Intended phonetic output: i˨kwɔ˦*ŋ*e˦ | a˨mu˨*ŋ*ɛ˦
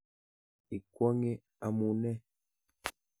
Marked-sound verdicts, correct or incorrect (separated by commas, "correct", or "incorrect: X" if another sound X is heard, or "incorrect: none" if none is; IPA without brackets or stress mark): correct, incorrect: n